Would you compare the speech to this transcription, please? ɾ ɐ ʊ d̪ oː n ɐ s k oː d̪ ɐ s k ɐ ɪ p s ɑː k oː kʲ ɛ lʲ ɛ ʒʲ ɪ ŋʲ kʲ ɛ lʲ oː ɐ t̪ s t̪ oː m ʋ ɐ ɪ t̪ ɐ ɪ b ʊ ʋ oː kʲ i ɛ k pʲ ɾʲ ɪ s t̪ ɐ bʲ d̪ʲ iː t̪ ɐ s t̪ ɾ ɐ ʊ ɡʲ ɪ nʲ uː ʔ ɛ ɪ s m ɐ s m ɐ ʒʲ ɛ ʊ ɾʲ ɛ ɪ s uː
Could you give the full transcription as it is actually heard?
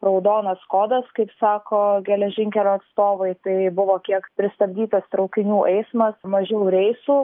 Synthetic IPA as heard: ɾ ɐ ʊ d̪ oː n ɐ s k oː d̪ ɐ s k ɐ ɪ p s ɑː k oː ɡʲ ɛ lʲ ɛ ʒʲ ɪ ŋʲ kʲ ɛ lʲ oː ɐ t̪ s t̪ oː ʋ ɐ ɪ t̪ ɐ ɪ b ʊ ʋ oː kʲ i ɛ k pʲ ɾʲ ɪ s t̪ ɐ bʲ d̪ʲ iː t̪ ɐ s t̪ ɾ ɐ ʊ kʲ ɪ nʲ uː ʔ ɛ ɪ s m ɐ s m ɐ ʒʲ ɛ ʊ ɾʲ ɛ ɪ s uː

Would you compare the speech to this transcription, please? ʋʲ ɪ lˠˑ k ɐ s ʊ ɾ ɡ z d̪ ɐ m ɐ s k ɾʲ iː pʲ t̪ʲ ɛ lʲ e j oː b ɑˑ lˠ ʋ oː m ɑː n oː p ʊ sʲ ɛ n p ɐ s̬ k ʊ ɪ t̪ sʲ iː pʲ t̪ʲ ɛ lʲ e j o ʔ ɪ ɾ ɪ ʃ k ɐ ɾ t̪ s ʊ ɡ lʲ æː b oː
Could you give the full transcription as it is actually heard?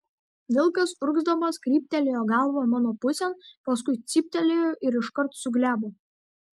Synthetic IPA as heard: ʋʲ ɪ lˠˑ k ɐ s ʊ ɾ ɡ z d̪ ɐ m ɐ s k ɾʲ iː pʲ t̪ʲ ɛ lʲ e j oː ɡ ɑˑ lˠ ʋ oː m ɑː n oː p ʊ sʲ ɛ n p ɐ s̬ k ʊ ɪ t̪ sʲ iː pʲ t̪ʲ ɛ lʲ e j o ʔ ɪ ɾ ɪ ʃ k ɐ ɾ t̪ s ʊ ɡ lʲ æː b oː

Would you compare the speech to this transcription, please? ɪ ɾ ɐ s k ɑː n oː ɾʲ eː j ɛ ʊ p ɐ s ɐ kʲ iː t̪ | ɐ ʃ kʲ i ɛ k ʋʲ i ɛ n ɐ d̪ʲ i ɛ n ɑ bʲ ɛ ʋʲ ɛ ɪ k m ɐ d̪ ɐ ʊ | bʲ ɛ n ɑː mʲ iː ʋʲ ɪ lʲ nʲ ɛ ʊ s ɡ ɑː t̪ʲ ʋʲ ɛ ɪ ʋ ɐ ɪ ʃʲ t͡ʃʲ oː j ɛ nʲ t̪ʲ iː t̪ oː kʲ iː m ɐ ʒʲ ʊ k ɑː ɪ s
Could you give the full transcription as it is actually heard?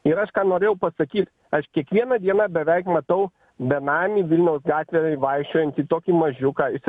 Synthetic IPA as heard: ɪ ɾ ɐ ʃ k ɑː n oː ɾʲ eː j ɛ ʊ p ɐ s ɐ kʲ iː t̪ | ɐ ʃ kʲ i ɛ k ʋʲ i ɛ n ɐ d̪ʲ i ɛ n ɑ bʲ ɛ ʋʲ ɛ ɪ k m ɐ t̪ ɐ ʊ | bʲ ɛ n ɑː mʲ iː ʋʲ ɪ lʲ nʲ ɛ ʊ s ɡ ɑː t̪ʲ ʋʲ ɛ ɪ ʋ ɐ ɪ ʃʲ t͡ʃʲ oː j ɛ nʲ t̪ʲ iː t̪ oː kʲ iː m ɐ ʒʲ ʊ k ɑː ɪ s

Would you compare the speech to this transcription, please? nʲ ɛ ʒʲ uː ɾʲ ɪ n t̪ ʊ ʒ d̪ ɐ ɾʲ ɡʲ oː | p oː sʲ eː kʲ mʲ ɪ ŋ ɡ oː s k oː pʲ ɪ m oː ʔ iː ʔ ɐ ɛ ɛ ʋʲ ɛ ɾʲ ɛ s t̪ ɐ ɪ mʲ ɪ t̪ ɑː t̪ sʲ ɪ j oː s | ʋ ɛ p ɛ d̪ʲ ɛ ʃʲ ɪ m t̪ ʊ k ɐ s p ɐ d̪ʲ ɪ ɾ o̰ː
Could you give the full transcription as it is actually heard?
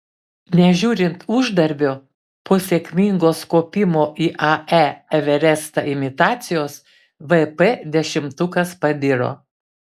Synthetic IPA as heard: nʲ ɛ ʒʲ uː ɾʲ ɪ n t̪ ʊ ʒ d̪ ɐ ɾʲ bʲ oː | p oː sʲ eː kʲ mʲ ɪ ŋ ɡ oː s k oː pʲ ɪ m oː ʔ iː ʔ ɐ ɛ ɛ ʋʲ ɛ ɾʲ ɛ s t̪ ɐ ɪ mʲ ɪ t̪ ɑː t̪ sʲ ɪ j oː s | ʋ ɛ p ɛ d̪ʲ ɛ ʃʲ ɪ m t̪ ʊ k ɐ s p ɐ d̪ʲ ɪ ɾ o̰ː

